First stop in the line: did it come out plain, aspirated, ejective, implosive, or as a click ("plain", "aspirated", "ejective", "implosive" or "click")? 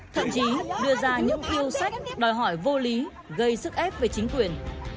aspirated